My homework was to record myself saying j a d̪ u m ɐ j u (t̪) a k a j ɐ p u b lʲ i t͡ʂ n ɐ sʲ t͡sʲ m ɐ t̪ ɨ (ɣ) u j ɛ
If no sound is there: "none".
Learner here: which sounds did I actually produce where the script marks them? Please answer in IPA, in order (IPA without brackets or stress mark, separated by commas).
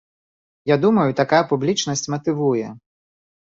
t̪, v